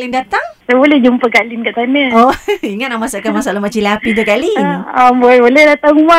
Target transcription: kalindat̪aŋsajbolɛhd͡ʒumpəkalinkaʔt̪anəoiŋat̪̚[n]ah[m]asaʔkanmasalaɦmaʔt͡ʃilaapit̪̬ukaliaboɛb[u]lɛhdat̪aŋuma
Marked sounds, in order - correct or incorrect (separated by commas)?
correct, correct, incorrect